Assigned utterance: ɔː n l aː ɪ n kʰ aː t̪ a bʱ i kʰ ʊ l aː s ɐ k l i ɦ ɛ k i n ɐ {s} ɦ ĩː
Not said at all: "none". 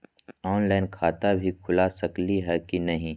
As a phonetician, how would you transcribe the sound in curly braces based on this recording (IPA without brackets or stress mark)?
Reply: none